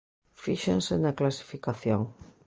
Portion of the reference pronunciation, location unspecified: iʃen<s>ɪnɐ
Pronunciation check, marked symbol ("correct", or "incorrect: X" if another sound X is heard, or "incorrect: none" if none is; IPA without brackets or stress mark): correct